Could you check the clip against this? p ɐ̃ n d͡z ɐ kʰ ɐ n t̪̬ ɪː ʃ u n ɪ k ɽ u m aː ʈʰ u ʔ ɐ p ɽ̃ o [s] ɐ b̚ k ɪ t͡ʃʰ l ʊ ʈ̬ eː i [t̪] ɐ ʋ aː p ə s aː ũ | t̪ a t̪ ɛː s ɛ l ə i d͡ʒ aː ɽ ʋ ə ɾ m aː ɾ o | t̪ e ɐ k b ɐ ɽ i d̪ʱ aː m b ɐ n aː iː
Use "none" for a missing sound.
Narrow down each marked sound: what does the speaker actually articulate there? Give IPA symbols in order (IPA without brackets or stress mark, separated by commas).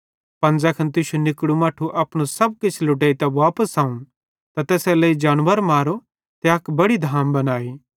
s, t̪